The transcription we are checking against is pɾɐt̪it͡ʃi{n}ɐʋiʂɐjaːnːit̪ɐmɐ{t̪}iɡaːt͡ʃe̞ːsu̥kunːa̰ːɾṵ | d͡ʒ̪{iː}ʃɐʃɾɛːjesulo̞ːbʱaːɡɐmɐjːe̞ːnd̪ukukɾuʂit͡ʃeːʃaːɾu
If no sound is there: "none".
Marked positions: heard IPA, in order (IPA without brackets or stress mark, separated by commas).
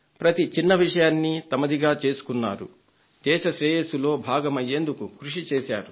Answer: nː, d̪, ɛː